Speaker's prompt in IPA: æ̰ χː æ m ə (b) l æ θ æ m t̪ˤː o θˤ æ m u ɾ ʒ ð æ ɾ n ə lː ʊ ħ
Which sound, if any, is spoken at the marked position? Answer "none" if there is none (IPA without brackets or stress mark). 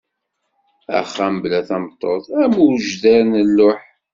b